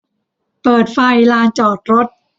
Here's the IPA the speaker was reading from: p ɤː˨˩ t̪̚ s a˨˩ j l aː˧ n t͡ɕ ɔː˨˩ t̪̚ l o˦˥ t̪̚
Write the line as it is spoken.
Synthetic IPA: p ɤː˨˩ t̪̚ f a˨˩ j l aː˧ n t͡ɕ ɔː˨˩ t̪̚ ɾ o˦˥ t̪̚